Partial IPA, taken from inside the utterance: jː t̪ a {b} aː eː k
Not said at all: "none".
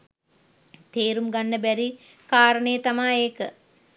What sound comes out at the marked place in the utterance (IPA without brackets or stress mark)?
m